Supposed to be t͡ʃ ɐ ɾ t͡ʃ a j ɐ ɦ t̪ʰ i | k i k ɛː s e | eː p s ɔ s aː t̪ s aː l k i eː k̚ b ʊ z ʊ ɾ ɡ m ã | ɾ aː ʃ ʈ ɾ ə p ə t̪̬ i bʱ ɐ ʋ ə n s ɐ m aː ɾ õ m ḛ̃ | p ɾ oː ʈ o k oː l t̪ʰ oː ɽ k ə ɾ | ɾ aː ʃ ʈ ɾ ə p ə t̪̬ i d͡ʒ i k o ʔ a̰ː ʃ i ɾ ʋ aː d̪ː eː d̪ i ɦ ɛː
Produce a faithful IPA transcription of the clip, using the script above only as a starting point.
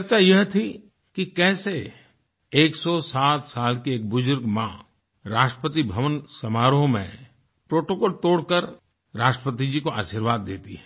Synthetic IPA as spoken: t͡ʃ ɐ ɾ t͡ʃ a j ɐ ɦ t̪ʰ i | k i k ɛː s e | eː k s ɔ s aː t̪ s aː l k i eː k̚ b ʊ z ʊ ɾ ɡ m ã | ɾ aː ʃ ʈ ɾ ə p ə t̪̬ i bʱ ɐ ʋ ə n s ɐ m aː ɾ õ m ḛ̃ | p ɾ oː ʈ o k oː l t̪ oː ɽ k ə ɾ | ɾ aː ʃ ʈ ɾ ə p ə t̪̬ i d͡ʒ i k o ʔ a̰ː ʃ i ɾ ʋ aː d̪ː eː t̪ i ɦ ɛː

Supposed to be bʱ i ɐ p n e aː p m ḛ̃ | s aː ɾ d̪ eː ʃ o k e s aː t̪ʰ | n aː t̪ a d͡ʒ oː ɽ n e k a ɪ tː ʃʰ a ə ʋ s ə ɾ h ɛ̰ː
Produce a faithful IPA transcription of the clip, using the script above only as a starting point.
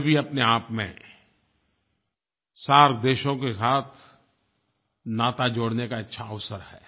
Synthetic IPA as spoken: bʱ i ɐ p n e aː p m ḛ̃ | s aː ɾ d̪ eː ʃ õ k e s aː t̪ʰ | n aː t̪ a d͡ʒ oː ɽ n e k a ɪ tː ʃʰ a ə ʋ s ə ɾ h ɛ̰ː

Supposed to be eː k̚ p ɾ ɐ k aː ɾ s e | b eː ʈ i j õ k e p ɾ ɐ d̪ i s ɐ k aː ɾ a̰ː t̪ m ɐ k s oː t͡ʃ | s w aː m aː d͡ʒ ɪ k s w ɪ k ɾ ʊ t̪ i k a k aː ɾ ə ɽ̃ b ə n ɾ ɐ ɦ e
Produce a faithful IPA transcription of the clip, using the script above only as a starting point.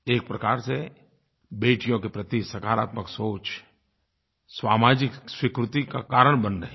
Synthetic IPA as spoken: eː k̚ p ɾ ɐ k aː ɾ s e | b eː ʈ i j õ k e p ɾ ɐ t̪ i s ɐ k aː ɾ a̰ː t̪ m ə k s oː t͡ʃ | s w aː m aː d͡ʒ ɪ k s w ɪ k ɾ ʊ t̪ i k a k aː ɾ ə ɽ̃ b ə n ɾ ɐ ɦ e

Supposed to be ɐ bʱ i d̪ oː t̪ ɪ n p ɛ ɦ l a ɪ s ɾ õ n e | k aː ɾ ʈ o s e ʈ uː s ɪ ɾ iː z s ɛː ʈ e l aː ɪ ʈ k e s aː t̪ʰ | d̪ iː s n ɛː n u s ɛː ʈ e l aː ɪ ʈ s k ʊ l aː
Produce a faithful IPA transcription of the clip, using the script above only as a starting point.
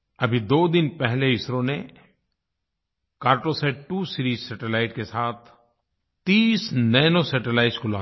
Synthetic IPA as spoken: ɐ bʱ i d̪ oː d̪ ɪ n p ɛ ɦ l e ɪ s ɾ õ n e | k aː ɾ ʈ o s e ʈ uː s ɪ ɾ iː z s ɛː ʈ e l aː ɪ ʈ k e s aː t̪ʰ | t̪ iː s n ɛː n o s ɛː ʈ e l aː ɪ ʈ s k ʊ l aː

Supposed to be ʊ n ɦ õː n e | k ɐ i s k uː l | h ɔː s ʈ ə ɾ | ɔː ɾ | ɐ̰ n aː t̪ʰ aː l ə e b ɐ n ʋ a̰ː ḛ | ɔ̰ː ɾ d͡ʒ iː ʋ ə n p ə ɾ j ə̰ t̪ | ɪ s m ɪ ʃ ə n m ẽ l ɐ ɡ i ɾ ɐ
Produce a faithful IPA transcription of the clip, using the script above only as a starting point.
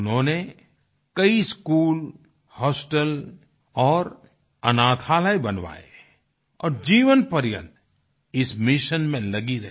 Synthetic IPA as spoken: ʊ n ɦ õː n e | k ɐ i s k uː l | h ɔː s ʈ ə l | ɔː ɾ | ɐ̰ n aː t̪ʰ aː l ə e b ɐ n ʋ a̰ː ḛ | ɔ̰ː ɾ d͡ʒ iː ʋ ə n p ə ɾ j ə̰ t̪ | ɪ s m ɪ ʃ ə n m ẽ l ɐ ɡ i ɾ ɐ

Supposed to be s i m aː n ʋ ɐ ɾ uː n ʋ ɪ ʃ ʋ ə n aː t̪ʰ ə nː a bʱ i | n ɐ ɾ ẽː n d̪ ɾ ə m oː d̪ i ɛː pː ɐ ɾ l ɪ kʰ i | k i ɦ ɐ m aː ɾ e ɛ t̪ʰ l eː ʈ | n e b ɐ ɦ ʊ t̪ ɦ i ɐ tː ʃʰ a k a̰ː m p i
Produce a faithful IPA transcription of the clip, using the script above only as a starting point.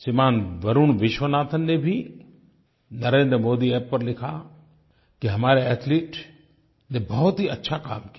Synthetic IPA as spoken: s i m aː n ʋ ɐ ɾ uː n ʋ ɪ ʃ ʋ ə n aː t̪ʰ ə nː e bʱ i | n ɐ ɾ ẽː n d̪ ɾ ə m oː d̪ i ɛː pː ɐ ɾ l ɪ kʰ a | k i ɦ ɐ m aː ɾ e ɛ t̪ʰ l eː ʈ | n e b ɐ ɦ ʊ t̪ ɦ i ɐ tː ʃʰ a k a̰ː m k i

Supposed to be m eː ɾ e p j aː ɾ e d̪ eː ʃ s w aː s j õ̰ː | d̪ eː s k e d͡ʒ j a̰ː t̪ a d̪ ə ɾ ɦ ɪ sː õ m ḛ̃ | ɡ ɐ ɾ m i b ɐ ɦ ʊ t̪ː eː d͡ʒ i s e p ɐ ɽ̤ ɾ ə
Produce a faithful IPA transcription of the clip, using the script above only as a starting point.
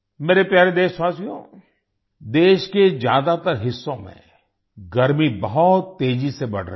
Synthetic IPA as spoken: m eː ɾ e p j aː ɾ e d̪ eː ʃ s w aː s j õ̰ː | d̪ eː ʃ k e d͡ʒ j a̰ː d̪ a t̪ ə ɾ ɦ ɪ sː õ m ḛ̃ | ɡ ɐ ɾ m i b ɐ ɦ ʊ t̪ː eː d͡ʒ i s e b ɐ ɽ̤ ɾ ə

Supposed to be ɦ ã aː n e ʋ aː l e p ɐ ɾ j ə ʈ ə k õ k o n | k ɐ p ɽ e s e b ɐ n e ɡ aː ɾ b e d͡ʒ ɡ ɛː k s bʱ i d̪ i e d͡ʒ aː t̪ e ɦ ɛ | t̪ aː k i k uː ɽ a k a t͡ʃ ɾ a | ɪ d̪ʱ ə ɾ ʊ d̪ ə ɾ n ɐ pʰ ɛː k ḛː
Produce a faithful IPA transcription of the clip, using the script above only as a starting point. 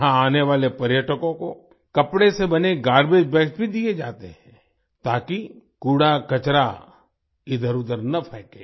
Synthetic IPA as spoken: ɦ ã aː n e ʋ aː l e p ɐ ɾ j ə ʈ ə k õ k o | k ɐ p ɽ e s e b ɐ n e ɡ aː ɾ b e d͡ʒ b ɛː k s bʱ i d̪ i e d͡ʒ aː t̪ e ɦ ɛ̃ | t̪ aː k i k uː ɽ a k ɐ t͡ʃ ɾ a | ɪ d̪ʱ ə ɾ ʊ d̪ ə ɾ n ɐ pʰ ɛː k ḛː

